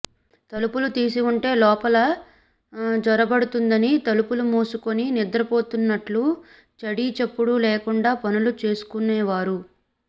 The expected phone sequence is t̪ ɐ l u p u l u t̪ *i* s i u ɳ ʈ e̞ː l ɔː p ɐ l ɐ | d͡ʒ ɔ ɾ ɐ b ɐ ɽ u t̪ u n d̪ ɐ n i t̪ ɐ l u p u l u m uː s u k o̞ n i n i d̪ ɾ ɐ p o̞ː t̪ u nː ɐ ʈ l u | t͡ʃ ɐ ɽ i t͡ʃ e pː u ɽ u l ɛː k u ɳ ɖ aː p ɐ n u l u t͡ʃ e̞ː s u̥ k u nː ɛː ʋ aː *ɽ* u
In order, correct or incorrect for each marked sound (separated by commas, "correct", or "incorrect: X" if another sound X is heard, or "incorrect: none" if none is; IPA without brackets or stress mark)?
incorrect: iː, incorrect: ɾ